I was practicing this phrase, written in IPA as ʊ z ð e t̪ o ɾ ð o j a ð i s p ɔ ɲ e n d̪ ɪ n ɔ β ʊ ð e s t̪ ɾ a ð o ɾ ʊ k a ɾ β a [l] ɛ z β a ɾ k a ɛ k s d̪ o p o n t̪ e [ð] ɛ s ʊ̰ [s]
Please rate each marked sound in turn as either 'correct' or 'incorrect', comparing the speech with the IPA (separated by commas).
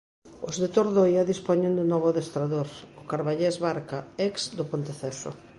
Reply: incorrect, incorrect, incorrect